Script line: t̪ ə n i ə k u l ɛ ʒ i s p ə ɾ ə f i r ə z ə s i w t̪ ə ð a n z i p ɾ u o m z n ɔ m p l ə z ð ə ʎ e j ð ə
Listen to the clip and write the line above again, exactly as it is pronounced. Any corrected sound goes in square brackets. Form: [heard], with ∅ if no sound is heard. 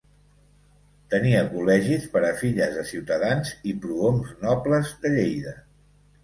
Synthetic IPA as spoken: t̪ ə n i ə k u l ɛ ʒ i s p ə ɾ ə f i [ʎ] ə z ə s i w t̪ ə ð a n z i p ɾ u o m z n ɔ [∅] p l ə z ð ə ʎ e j ð ə